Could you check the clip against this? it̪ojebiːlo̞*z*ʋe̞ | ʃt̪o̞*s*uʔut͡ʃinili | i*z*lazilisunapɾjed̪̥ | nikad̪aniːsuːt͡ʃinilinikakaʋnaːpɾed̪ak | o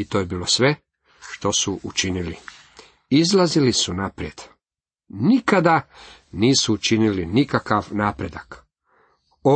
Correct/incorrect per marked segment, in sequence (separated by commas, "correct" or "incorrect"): incorrect, correct, correct